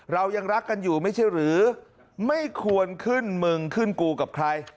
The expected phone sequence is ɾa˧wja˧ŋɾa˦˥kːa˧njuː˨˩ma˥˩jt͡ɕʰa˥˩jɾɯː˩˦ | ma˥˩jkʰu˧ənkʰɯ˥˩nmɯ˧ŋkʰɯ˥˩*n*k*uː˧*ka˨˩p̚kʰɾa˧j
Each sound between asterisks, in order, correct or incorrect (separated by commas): correct, correct